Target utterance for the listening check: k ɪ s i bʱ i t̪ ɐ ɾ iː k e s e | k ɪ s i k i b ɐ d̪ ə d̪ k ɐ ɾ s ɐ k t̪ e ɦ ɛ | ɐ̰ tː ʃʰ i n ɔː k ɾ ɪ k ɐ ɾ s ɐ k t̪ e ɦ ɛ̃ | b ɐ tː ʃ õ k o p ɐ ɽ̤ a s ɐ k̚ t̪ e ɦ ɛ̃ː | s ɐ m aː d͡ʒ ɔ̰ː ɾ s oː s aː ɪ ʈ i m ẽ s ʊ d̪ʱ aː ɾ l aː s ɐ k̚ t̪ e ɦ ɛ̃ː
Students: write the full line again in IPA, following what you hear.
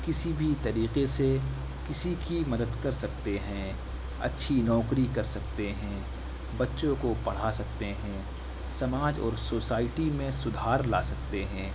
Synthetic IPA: k ɪ s i bʱ i t̪ ɐ ɾ iː q e s e | k ɪ s i k i m ɐ d̪ ə d̪ k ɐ ɾ s ɐ k t̪ e ɦ ɛ̃ | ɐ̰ tː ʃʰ i n ɔː k ɾ i k ɐ ɾ s ɐ k t̪ e ɦ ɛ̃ | b ɐ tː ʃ õ k o p ɐ ɽ̤ a s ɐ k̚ t̪ e ɦ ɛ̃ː | s ɐ m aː d͡ʒ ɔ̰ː ɾ s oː s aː ɪ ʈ i m ẽ s ʊ d̪ʱ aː ɾ l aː s ɐ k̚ t̪ e ɦ ɛ̃ː